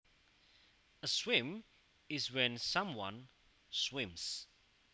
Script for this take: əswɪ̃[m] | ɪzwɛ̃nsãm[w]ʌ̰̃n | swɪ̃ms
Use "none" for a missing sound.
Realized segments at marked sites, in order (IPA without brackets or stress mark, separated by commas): m, w